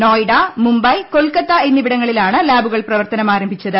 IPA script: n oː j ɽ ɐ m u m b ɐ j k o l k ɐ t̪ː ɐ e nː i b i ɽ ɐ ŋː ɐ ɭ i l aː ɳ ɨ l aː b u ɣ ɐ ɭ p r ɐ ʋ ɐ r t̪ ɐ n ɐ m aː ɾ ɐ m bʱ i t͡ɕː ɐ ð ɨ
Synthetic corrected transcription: n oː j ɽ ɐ m u m b ɐ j k o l k ɐ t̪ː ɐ e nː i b i ɽ ɐ ŋː ɐ ɭ i l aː ɳ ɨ l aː b u ɣ ɐ ɭ p r ɐ ʋ ɐ r t̪ ɐ n ɐ m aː ɾ ɐ m bʱ i t͡ɕː ɐ ð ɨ

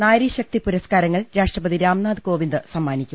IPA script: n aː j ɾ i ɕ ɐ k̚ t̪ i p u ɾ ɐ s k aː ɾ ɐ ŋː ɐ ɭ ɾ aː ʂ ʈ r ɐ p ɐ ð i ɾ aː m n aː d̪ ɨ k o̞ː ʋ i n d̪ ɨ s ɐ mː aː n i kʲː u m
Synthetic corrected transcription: n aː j ɾ i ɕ ɐ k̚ t̪ i p u ɾ ɐ s k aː ɾ ɐ ŋː ɐ ɭ ɾ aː ʂ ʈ r ɐ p ɐ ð i ɾ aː m n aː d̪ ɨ k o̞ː ʋ i n d̪ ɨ s ɐ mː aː n i kʲː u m

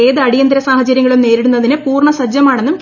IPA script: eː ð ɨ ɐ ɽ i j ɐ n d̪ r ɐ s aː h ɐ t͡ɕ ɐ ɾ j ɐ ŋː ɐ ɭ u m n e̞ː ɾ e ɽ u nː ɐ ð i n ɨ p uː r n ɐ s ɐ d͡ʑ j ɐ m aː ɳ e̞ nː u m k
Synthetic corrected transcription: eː ð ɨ ɐ ɽ i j ɐ n d̪ ɾ ɐ s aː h ɐ t͡ɕ ɐ ɾ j ɐ ŋː ɐ ɭ u m n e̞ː ɾ i ɽ u nː ɐ ð i n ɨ p uː r ɳ ɐ s ɐ d͡ʑ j ɐ m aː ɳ e̞ nː u m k

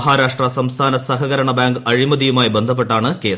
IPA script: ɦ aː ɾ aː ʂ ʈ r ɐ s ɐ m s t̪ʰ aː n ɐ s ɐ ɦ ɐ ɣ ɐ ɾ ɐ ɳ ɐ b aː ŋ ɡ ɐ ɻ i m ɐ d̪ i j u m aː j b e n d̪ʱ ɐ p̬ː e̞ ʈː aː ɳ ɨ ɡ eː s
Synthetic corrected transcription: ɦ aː ɾ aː ʂ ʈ r ɐ s ɐ m s t̪ʰ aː n ɐ s ɐ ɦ ɐ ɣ ɐ ɾ ɐ ɳ ɐ b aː ŋ ɡ ɐ ɻ i m ɐ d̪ i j u m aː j b e n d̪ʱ ɐ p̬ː e̞ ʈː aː ɳ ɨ k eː s

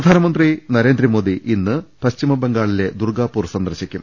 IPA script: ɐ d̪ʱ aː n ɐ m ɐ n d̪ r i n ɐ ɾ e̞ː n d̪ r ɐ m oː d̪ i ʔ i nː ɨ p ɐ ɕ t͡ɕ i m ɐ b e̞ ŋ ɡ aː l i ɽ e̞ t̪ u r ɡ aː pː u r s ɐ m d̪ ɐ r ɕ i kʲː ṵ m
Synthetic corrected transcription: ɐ d̪ʱ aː n ɐ m ɐ n d̪ r i n ɐ ɾ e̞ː n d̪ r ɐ m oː d̪ i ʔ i nː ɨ p ɐ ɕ t͡ɕ i m ɐ b e̞ ŋ ɡ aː ɭ i l e̞ d̪ u r ɡ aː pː uː r s ɐ n d̪ ɐ r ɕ i kʲː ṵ m

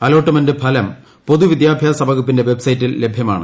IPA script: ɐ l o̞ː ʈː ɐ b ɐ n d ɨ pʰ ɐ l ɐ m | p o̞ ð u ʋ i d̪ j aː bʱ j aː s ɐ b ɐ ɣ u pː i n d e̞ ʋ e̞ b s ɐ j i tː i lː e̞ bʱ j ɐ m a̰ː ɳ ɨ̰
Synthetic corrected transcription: ɐ l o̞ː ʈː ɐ m ɐ n d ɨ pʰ ɐ l ɐ m | p o̞ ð u ʋ i d̪ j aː bʱ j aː s ɐ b ɐ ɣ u pː i n d e̞ ʋ e̞ b s ɐ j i tː i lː e̞ bʱ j ɐ m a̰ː ɳ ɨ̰

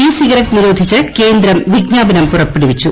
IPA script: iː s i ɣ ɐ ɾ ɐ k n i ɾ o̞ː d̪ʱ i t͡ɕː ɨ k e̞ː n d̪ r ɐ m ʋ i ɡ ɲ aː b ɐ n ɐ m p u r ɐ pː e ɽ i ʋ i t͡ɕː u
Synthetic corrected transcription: iː s i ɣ ɐ ɾ ɐ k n i ɾ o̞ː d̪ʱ i t͡ɕː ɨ k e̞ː n d̪ ɾ ɐ m ʋ i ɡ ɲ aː b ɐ n ɐ m p u r ɐ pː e ɽ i ʋ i t͡ɕː u

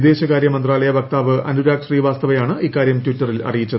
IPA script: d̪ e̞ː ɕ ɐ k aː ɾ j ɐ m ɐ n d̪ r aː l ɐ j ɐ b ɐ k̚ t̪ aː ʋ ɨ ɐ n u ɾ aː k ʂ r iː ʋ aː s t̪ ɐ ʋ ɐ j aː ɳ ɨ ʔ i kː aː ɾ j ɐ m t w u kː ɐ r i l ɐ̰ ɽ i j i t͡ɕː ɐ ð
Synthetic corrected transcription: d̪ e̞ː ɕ ɐ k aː ɾ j ɐ m ɐ n d̪ r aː l ɐ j ɐ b ɐ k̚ t̪ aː ʋ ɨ ɐ n u ɾ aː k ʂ r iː ʋ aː s t̪ ɐ ʋ ɐ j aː ɳ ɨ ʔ i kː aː ɾ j ɐ m t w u tː ɐ r i l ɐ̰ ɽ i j i t͡ɕː ɐ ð

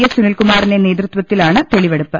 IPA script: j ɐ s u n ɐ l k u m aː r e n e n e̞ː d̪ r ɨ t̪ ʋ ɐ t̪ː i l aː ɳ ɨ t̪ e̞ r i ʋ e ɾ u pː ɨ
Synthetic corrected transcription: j ɐ s u n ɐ l k u m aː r i n e n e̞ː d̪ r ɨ t̪ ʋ ɐ t̪ː i l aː ɳ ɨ t̪ e̞ ɭ i ʋ e ɽ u pː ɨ

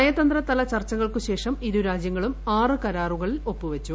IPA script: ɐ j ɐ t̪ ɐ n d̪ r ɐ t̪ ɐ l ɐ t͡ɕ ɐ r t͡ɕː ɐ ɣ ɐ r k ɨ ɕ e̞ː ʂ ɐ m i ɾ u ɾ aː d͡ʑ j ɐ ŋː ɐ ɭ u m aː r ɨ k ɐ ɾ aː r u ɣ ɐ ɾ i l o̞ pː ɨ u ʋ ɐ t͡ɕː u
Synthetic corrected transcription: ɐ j ɐ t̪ ɐ n d̪ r ɐ t̪ ɐ l ɐ t͡ɕ ɐ r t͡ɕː ɐ ɣ ɐ ɭ k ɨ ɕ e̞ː ʂ ɐ m i ɾ u ɾ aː d͡ʑ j ɐ ŋː ɐ ɭ u m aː r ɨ k ɐ ɾ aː r u ɣ ɐ ɭ i l o̞ pː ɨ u ʋ ɐ t͡ɕː u

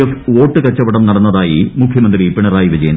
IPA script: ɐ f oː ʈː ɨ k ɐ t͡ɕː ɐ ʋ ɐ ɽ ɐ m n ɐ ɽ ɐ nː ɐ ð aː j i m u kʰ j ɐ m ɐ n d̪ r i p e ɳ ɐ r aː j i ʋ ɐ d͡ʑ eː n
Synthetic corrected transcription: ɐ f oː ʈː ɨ k ɐ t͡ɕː ɐ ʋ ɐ ɽ ɐ m n ɐ ɽ ɐ nː ɐ ð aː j i m u kʰ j ɐ m ɐ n d̪ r i p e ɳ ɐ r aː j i ʋ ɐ d͡ʑ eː n

